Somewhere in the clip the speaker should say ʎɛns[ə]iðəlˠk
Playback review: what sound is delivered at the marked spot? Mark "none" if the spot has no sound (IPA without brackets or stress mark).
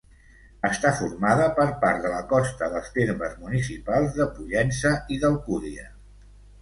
ə